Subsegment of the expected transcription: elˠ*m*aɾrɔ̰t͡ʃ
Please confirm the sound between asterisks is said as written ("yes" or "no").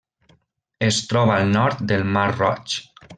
yes